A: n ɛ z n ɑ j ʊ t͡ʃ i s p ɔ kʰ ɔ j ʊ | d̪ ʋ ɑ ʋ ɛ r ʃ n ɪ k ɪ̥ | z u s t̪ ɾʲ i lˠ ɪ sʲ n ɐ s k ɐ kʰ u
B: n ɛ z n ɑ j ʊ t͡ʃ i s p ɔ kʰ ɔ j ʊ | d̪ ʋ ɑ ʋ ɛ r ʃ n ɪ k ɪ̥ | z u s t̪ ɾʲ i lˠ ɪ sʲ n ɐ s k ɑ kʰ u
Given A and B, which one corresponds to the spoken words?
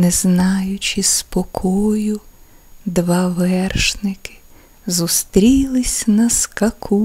A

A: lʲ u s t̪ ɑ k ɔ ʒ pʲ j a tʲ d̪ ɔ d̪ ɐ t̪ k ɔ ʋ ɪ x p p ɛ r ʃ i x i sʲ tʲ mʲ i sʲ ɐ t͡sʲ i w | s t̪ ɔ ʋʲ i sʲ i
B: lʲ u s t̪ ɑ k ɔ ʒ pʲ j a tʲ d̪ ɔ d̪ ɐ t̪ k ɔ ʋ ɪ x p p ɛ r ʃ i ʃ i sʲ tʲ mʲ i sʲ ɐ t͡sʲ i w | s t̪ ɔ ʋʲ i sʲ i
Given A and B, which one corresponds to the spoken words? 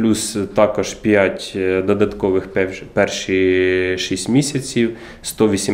B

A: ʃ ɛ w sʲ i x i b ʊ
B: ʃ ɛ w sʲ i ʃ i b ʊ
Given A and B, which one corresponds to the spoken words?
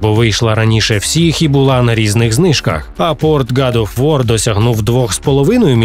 A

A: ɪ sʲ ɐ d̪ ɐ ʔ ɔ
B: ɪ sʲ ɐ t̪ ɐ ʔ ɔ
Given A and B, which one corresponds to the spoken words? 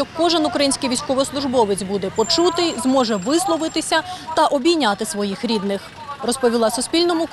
B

